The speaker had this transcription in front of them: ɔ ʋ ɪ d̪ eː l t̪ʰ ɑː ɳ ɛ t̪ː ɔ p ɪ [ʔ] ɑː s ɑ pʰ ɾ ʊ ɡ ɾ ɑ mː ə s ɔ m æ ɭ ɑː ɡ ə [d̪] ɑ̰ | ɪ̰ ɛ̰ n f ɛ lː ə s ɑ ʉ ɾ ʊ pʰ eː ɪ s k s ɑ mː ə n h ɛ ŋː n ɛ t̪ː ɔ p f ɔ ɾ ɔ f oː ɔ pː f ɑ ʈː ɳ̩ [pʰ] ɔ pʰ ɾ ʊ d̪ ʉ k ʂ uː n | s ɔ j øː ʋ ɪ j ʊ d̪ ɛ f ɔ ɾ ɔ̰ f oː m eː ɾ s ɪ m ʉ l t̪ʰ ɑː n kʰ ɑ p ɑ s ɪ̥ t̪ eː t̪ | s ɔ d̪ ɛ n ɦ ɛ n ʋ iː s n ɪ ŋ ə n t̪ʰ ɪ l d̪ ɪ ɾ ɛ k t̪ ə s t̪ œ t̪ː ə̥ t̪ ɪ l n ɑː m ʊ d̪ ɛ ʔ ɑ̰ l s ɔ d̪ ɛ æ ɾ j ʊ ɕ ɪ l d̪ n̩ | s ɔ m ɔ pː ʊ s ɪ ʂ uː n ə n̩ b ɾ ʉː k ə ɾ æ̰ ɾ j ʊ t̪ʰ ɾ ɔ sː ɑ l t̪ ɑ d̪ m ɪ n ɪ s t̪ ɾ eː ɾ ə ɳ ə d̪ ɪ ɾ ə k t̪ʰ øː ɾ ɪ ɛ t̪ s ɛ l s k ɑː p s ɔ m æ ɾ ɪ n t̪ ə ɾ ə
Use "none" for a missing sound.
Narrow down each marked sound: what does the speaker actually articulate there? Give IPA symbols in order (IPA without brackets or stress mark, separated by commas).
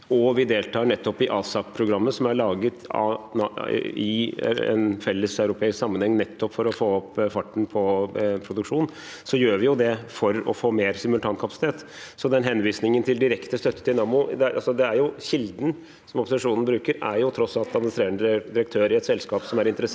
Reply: ʔ, t̪, pʰ